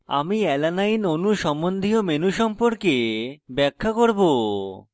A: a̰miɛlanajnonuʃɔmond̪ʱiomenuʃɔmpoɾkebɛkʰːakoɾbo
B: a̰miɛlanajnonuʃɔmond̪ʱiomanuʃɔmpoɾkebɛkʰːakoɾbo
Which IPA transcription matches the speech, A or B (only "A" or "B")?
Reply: A